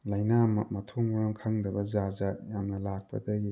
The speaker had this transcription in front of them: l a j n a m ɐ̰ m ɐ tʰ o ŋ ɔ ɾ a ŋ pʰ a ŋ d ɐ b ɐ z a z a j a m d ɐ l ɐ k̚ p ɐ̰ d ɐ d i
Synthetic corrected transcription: l a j n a m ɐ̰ m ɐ tʰ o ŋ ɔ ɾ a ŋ kʰ a ŋ d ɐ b ɐ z a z a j a m n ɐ l a k̚ p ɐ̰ d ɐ ɡ i